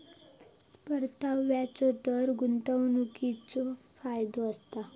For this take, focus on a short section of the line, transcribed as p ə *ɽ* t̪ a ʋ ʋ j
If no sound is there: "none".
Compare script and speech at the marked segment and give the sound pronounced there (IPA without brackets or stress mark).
ɾ